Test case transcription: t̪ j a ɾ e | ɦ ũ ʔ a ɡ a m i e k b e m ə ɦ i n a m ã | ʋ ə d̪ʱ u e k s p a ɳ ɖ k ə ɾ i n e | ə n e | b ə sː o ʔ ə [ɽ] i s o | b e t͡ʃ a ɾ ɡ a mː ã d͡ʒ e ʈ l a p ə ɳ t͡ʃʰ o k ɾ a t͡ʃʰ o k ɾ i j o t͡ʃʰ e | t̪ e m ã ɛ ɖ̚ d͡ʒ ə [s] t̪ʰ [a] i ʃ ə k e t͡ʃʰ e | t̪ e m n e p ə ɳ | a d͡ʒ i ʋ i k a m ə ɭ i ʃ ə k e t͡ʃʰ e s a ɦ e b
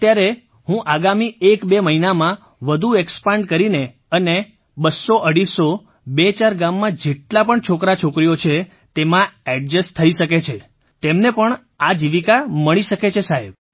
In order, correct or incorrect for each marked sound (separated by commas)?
correct, correct, incorrect